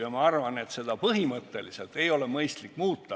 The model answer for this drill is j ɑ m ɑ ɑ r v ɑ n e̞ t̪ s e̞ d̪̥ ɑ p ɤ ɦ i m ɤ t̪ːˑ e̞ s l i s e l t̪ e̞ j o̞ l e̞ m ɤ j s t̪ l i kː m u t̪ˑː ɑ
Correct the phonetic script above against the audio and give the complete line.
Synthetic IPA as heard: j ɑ m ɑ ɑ r v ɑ n e̞ t̪ s e̞ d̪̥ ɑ p ɤ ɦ i m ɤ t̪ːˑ e̞ l i s e l t̪ e̞ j o̞ l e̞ m ɤ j s t̪ l i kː m uː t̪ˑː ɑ